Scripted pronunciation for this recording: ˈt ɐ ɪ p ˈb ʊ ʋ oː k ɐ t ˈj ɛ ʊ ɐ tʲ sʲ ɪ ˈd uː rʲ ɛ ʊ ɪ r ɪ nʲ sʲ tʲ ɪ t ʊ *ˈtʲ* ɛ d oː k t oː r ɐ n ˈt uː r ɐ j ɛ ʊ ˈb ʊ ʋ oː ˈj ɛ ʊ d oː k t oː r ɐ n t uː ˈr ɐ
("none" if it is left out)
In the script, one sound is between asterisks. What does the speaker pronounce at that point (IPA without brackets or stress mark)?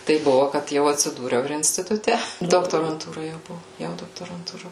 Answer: tʲ